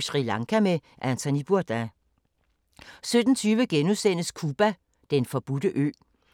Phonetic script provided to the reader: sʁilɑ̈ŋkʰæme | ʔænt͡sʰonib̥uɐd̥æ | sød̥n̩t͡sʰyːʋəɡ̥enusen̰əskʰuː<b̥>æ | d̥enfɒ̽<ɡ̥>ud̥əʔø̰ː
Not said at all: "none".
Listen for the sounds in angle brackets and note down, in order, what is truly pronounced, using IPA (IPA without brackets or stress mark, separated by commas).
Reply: b̥, b̥